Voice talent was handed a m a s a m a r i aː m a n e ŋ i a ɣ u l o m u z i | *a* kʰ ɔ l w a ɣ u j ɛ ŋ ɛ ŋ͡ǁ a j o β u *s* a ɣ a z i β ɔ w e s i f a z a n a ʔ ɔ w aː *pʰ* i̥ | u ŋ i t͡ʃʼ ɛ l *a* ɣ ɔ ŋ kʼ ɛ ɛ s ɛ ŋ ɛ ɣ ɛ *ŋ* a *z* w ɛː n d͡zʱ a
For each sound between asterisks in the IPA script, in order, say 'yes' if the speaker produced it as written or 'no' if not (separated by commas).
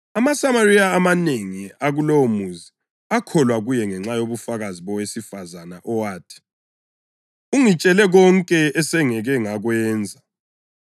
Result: yes, no, no, no, yes, no